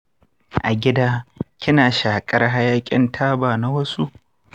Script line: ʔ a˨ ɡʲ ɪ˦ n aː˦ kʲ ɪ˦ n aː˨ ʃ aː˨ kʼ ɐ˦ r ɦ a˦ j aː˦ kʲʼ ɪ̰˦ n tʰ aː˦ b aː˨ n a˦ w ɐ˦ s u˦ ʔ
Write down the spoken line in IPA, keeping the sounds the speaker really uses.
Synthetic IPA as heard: ʔ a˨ ɡʲ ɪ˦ d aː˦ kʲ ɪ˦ n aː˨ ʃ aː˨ kʼ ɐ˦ r ɦ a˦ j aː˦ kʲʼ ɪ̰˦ n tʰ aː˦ b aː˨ n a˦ w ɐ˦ s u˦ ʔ